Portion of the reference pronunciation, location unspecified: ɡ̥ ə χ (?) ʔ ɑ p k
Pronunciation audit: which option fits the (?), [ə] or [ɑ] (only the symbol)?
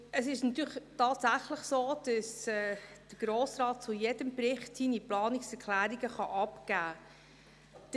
ɑ